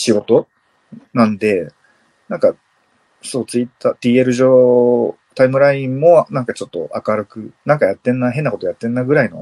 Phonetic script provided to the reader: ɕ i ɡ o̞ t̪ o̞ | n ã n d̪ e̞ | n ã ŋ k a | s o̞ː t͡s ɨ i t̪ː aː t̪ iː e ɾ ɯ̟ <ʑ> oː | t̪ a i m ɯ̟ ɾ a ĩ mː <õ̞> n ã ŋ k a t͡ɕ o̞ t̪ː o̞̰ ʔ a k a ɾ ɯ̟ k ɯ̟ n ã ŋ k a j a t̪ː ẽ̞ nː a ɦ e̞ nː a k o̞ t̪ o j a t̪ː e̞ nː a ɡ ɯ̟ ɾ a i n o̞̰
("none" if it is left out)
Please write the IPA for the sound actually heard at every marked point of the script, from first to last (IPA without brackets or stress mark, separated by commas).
ʑ, o̞